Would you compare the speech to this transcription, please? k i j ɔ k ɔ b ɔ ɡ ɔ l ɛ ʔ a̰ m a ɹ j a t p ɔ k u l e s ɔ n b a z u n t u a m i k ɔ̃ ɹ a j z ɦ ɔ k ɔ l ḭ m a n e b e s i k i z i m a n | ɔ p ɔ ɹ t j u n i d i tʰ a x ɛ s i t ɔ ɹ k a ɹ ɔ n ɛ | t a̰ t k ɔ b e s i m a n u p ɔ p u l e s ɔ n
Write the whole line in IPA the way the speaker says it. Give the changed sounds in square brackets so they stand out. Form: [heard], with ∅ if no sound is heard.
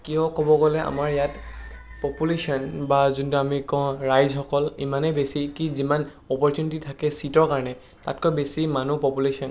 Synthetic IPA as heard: k i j ɔ k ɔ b ɔ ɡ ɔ l ɛ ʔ a̰ m a ɹ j a t p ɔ [p] u l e s ɔ n b a z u n t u a m i k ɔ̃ ɹ a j z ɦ ɔ k ɔ l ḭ m a n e b e s i k i z i m a n | ɔ p ɔ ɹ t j u n i [t] i tʰ a [k] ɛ s i t ɔ ɹ k a ɹ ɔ n ɛ | t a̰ t k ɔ b e s i m a n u p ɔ p u l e s ɔ n